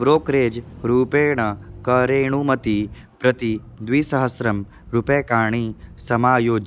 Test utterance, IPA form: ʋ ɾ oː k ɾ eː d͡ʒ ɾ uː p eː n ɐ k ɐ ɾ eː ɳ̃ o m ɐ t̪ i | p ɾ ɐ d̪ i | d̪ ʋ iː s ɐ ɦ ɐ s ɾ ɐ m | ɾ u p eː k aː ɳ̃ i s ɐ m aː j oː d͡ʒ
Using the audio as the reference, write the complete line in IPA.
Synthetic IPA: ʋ ɾ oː k ɾ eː d͡ʒ ɾ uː p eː ɳ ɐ k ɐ ɾ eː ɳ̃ u m ɐ t̪ i | p ɾ ɐ t̪ i | d̪ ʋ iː s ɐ ɦ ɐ s ɾ ɐ m | ɾ u p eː k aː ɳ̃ i s ɐ m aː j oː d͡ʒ